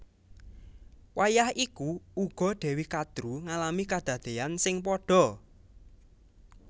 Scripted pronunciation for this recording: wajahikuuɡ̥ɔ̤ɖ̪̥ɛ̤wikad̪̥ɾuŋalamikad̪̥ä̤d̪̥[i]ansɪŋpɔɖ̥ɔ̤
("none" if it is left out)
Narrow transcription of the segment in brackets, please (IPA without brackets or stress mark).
e